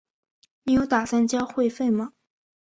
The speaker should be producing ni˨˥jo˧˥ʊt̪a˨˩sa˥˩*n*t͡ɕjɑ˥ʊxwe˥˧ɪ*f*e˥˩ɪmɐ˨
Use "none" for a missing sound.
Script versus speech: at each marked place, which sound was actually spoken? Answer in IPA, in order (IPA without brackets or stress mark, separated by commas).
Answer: n, f